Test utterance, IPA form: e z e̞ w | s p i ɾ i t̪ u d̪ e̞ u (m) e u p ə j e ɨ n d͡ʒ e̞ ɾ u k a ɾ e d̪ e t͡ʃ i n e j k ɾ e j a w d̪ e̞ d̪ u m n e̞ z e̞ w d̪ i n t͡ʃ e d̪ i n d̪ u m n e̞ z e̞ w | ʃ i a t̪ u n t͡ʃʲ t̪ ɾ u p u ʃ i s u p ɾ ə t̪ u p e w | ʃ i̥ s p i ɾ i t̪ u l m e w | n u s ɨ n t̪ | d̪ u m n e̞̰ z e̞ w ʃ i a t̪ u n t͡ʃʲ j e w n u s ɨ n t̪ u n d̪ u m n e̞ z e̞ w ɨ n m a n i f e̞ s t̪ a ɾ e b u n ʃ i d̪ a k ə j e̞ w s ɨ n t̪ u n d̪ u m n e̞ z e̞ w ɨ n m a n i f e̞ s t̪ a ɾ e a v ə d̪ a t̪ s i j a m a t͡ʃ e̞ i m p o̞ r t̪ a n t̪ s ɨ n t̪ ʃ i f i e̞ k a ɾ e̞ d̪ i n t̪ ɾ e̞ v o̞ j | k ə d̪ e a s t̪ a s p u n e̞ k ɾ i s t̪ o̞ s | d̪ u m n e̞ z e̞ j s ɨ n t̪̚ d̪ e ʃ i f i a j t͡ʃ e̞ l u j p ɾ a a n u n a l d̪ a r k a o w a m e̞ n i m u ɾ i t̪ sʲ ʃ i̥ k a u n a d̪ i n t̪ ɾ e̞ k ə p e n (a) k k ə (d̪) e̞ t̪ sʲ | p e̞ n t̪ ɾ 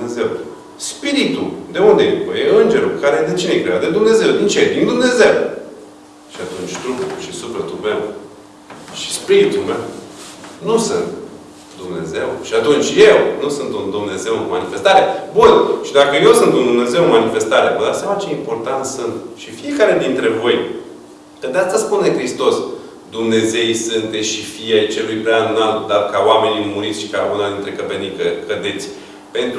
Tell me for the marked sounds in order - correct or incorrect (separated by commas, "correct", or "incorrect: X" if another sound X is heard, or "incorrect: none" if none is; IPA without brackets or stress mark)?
incorrect: n, incorrect: i, correct